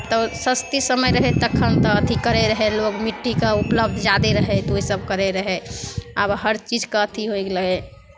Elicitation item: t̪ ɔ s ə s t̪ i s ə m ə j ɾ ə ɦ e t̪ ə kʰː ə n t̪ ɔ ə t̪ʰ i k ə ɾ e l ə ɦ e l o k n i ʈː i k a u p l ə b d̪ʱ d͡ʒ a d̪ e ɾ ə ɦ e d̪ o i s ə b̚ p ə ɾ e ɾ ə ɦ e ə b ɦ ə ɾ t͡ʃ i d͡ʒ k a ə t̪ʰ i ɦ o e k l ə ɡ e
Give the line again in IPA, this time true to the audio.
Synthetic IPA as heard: t̪ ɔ s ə s t̪ i s ə m ə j ɾ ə ɦ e t̪ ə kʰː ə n t̪ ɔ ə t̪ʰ i k ə ɾ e ɾ ə ɦ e l o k m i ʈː i k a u p l ə b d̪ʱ d͡ʒ a d̪ e ɾ ə ɦ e t̪ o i s ə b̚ k ə ɾ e ɾ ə ɦ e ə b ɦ ə ɾ t͡ʃ i d͡ʒ k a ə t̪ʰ i ɦ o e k l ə ɡ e